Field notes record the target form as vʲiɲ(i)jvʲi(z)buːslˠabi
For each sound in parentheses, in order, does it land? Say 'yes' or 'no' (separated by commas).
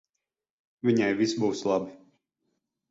no, no